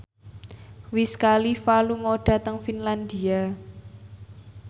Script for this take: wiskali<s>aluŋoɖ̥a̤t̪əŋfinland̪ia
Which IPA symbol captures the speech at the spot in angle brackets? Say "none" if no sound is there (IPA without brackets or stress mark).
f